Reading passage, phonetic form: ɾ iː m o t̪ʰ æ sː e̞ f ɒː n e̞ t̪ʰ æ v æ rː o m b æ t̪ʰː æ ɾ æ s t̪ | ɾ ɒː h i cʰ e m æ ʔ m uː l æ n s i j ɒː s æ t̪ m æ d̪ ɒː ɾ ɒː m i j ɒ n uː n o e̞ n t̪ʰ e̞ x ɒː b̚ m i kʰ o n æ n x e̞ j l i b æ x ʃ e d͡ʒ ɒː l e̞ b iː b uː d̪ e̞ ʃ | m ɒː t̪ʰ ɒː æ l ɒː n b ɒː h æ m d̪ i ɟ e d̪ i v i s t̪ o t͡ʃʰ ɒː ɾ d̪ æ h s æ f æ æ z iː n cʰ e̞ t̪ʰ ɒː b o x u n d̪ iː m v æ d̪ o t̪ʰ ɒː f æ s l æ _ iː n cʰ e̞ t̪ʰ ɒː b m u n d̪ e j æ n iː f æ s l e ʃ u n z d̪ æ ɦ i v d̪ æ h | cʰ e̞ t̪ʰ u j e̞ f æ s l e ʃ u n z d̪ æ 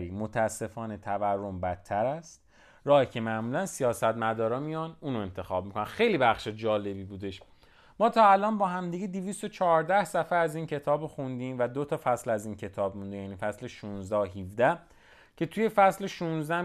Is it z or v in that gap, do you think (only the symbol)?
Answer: z